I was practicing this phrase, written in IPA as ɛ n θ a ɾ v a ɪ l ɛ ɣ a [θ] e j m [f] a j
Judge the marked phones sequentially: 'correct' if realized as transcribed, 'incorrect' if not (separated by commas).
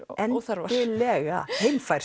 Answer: incorrect, correct